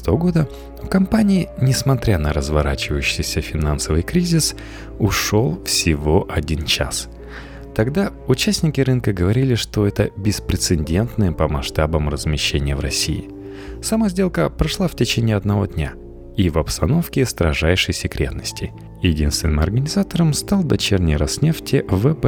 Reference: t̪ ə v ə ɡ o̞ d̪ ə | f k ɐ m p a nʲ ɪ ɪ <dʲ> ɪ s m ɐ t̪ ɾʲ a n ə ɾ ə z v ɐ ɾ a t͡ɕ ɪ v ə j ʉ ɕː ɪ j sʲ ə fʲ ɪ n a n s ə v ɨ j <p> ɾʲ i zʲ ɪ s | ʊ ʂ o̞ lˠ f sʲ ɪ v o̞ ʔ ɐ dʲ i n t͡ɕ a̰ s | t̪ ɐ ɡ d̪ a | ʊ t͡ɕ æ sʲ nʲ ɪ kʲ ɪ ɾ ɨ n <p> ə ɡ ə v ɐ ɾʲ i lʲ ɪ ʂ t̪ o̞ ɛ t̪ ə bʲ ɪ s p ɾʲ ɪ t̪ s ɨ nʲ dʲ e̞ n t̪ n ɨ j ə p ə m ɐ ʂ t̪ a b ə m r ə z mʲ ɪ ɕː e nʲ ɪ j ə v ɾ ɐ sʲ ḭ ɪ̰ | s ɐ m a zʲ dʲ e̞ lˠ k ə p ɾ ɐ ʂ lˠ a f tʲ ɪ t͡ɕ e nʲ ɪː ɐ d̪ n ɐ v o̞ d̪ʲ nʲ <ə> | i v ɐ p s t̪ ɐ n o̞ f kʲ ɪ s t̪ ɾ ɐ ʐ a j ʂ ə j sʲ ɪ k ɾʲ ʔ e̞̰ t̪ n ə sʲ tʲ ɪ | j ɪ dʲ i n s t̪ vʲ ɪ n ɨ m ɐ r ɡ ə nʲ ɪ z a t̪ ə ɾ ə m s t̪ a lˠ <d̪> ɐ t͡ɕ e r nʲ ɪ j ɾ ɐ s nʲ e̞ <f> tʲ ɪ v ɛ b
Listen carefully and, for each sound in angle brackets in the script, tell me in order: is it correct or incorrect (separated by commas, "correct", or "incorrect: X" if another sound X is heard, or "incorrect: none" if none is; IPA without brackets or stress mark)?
incorrect: nʲ, incorrect: k, incorrect: k, incorrect: a, correct, correct